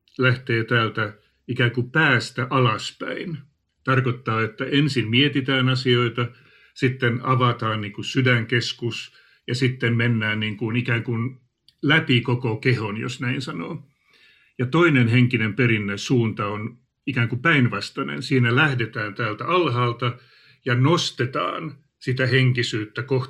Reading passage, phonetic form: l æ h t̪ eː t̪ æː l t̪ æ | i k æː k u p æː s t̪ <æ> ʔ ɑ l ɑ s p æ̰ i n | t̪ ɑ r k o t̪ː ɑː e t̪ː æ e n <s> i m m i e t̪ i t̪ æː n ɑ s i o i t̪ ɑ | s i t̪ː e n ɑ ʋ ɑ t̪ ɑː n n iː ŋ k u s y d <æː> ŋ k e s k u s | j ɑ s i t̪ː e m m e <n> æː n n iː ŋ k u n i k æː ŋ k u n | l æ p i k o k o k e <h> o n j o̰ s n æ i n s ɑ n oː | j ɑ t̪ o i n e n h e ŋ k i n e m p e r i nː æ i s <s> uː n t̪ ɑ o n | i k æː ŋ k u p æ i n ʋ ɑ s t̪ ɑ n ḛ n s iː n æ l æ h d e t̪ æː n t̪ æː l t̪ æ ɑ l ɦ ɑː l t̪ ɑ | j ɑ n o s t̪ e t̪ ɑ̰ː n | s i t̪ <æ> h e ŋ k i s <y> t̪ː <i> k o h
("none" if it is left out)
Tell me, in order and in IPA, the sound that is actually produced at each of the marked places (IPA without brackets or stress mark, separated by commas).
æ, s, æ, nː, h, s, æ, yː, æ